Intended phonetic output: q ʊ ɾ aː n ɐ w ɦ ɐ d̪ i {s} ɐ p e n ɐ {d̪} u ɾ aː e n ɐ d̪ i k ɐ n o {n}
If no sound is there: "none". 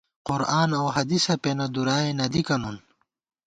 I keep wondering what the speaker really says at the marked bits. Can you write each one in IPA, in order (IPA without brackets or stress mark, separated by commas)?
s, d̪, n